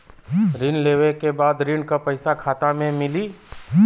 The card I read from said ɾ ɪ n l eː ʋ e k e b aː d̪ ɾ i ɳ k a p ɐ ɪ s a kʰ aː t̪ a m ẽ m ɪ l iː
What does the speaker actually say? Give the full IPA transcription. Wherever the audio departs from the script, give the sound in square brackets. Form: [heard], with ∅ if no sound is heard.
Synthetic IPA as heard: ɾ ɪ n l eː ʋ e k e b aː d̪ ɾ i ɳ k a p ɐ ɪ s a kʰ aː t̪ a m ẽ m ɪ l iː